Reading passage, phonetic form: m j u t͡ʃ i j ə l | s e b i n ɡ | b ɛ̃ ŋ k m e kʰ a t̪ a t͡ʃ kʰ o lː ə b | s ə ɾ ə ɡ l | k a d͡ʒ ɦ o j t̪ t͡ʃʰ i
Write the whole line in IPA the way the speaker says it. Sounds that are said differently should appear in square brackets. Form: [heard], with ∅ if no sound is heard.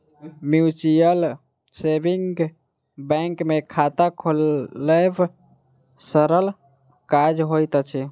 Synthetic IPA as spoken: m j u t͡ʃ i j ə l | s e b i [ŋ] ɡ | b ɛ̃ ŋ k m e kʰ a t̪ a [∅] kʰ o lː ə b | s ə ɾ ə [∅] l | k a d͡ʒ ɦ o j t̪ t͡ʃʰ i

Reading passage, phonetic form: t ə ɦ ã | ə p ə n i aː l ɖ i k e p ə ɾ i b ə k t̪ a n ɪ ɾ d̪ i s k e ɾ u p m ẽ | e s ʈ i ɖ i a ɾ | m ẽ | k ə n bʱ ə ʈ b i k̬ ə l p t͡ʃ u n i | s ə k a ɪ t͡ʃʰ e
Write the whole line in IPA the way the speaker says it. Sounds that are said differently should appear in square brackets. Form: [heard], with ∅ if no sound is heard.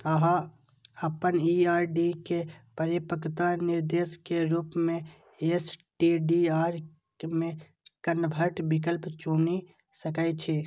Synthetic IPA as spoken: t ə ɦ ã | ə p ə n i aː [ɾ] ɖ i k e p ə ɾ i [p] ə k t̪ a n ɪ ɾ d̪ [e] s k e ɾ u p m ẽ | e s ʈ i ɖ i a ɾ | m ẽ | k ə n bʱ ə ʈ b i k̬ ə l p t͡ʃ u n i | s ə k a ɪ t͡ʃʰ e

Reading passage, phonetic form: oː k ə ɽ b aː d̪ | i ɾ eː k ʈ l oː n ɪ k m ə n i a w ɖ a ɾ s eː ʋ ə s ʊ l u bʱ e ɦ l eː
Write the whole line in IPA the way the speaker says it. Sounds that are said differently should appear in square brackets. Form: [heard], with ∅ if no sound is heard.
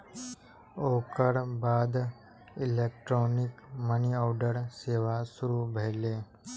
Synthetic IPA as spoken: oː k ə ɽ b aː d̪ | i [l] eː k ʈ [ɾ] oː n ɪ k m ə n i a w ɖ [ə] ɾ s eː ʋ [a] s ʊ [ɾ] u bʱ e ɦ l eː

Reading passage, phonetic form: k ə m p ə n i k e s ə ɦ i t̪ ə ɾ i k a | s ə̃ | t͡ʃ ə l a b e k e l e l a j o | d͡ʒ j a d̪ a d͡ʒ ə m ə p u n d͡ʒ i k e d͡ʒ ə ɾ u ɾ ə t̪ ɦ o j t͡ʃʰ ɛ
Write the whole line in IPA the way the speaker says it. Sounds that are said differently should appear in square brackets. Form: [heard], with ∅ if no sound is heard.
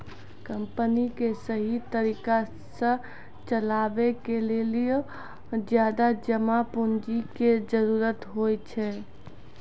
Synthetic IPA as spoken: k ə m p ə n i k e s ə ɦ i t̪ ə ɾ i k a | s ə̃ | t͡ʃ ə l a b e k e l e l [i] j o | d͡ʒ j a d̪ a d͡ʒ ə m [a] p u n d͡ʒ i k e d͡ʒ ə ɾ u ɾ ə t̪ ɦ o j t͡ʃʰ ɛ

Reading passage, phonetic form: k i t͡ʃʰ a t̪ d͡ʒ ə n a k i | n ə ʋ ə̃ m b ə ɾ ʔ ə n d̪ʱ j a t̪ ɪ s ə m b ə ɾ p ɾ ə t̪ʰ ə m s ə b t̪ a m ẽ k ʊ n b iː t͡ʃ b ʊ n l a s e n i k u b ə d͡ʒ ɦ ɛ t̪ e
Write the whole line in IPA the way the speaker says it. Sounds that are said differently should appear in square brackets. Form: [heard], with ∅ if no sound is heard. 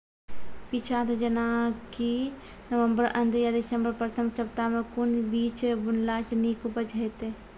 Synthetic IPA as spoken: [p] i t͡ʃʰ a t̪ d͡ʒ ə n a k i | n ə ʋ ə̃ m b ə ɾ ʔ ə n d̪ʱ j a [d̪] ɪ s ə m b ə ɾ p ɾ ə t̪ʰ ə m s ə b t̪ a m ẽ k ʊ n b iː t͡ʃ b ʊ n l a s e n i k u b ə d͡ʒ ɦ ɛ t̪ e

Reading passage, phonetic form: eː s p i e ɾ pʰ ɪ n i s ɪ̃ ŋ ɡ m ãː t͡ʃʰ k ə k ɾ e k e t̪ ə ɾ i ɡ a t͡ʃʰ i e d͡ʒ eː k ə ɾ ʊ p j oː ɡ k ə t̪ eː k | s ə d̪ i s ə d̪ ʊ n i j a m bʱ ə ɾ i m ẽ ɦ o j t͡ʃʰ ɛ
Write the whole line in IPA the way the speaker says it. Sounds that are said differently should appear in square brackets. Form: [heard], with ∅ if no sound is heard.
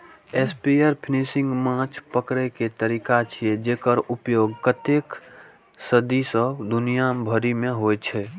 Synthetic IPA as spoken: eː s p i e ɾ pʰ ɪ n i s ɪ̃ ŋ ɡ m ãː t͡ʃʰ [p] ə k ɾ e k e t̪ ə ɾ i [k] a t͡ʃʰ i e d͡ʒ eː k ə ɾ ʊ p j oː ɡ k ə t̪ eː k | s ə d̪ i s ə d̪ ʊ n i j a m bʱ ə ɾ i m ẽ ɦ o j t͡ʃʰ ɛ

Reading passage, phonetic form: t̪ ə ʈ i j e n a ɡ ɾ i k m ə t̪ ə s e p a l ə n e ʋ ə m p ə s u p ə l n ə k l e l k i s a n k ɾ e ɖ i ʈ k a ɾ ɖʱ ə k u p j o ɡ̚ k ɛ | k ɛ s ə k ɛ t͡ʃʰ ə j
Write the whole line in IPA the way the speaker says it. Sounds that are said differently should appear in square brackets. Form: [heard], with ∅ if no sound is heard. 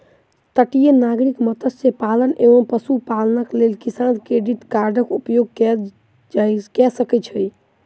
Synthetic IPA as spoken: t̪ ə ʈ i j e n a ɡ ɾ i k m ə t̪ ə s e p a l ə n e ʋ ə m p ə s u p [a] l n ə k l e l k i s a n k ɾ e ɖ i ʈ k a ɾ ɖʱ ə k u p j o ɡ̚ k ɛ | k ɛ s ə k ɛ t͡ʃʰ ə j

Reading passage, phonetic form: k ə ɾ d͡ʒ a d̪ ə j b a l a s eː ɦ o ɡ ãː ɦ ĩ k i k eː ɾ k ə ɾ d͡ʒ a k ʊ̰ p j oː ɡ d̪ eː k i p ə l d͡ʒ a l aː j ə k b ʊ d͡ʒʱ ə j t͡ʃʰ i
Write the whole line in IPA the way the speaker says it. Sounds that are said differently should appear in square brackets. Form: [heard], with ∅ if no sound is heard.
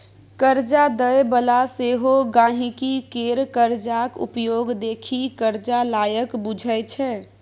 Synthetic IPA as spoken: k ə ɾ d͡ʒ a d̪ ə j b [ə] l a s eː ɦ o ɡ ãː ɦ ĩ k i k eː ɾ k ə ɾ d͡ʒ a k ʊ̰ p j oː ɡ d̪ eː [kʰ] i [k] ə [ɾ] d͡ʒ a l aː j ə k b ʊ d͡ʒʱ ə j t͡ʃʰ [ɛ]

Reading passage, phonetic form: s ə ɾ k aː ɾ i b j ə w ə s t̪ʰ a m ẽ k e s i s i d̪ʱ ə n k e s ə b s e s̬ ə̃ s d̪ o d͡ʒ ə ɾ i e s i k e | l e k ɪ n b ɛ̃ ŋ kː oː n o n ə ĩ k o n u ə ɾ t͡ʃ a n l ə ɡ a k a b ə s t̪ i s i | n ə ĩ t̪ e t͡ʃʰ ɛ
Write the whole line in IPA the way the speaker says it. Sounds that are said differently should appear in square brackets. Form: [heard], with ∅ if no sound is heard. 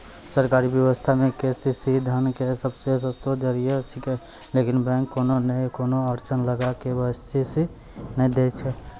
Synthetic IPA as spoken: s ə ɾ k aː ɾ i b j ə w ə s t̪ʰ a m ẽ k e s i s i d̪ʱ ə n k e s ə b s e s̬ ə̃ s [t̪] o d͡ʒ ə ɾ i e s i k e | l e k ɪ n b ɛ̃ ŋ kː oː n o n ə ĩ k o n [o] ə ɾ t͡ʃ [ə] n l ə ɡ a k [e] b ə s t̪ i s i | n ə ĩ [d̪] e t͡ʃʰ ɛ

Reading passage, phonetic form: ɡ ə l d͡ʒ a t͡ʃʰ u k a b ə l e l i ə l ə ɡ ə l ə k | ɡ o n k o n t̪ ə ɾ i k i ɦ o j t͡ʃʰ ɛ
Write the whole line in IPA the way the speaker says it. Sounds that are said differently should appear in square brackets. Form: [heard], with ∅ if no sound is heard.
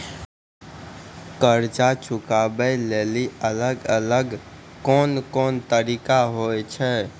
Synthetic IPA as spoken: [k] ə [ɾ] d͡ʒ a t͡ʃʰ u k a b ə l e l i ə l ə ɡ ə l ə [ɡ] | [k] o n k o n t̪ ə ɾ i k [a] ɦ o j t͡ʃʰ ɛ

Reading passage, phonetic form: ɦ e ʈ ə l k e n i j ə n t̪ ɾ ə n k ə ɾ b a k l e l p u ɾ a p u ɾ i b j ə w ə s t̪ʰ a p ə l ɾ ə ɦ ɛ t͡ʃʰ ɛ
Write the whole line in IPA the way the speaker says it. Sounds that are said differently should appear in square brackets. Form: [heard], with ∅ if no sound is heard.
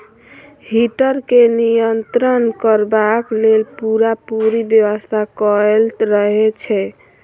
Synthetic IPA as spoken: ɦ [i] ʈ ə [ɾ] k e n i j ə n t̪ ɾ ə n k ə ɾ b a k l e l p u ɾ a p u ɾ i b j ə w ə s t̪ʰ a [k] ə l ɾ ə ɦ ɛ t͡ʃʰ ɛ

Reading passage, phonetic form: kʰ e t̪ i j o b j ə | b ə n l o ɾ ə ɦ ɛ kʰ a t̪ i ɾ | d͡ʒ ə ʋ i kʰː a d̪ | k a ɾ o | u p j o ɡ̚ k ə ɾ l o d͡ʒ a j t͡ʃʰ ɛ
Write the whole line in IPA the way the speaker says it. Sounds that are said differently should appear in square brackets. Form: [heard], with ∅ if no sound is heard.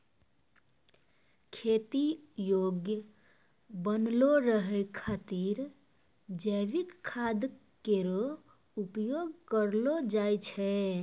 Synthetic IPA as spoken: kʰ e t̪ i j o [ɡ] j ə | b ə n l o ɾ ə ɦ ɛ kʰ a t̪ i ɾ | d͡ʒ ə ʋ i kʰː a d̪ | k [e] ɾ o | u p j o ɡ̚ k ə ɾ l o d͡ʒ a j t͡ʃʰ ɛ

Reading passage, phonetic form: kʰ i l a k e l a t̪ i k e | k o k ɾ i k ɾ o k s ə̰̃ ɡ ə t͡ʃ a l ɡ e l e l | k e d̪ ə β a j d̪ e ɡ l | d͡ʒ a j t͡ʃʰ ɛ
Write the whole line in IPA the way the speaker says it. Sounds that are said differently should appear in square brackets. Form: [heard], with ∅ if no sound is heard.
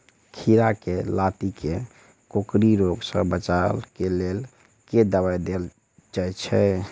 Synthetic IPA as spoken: kʰ i [ɾ] a k e l a t̪ i k e | k o k ɾ i [∅] ɾ o [ɡ] s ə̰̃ [b] ə t͡ʃ a l [k] e l e l | k e d̪ ə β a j d̪ e [∅] l | d͡ʒ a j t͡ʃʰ ɛ

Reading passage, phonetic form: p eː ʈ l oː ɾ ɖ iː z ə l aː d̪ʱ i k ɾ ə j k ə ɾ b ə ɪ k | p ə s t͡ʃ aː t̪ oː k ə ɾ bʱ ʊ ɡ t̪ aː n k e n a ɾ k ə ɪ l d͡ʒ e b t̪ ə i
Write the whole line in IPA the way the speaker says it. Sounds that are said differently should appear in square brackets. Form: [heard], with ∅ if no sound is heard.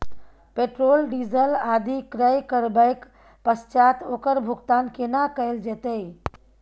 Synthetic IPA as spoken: p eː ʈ [ɾ] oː [l] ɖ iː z ə l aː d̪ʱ i k ɾ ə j k ə ɾ b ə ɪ k | p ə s t͡ʃ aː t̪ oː k ə ɾ bʱ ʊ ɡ t̪ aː n k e n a [∅] k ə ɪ l d͡ʒ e [∅] t̪ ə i

